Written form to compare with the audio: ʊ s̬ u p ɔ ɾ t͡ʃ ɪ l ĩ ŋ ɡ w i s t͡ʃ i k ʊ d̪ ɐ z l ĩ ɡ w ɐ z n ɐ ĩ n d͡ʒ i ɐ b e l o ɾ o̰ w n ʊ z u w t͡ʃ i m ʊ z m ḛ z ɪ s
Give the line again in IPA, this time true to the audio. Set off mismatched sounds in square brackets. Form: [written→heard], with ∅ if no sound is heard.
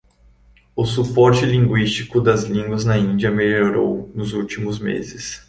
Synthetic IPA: ʊ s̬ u p ɔ ɾ t͡ʃ ɪ l ĩ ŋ ɡ w i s t͡ʃ i k ʊ d̪ ɐ z l ĩ ɡ w ɐ z n ɐ ĩ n d͡ʒ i ɐ [b→m] e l o ɾ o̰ w n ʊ z u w t͡ʃ i m ʊ z m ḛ z ɪ s